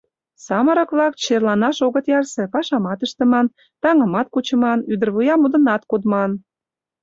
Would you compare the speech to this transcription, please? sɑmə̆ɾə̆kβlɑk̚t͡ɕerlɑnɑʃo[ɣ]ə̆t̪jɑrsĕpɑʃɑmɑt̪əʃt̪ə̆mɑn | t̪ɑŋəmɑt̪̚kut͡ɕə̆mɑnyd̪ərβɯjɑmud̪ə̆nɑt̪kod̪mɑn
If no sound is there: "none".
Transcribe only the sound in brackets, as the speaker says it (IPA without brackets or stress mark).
ɣ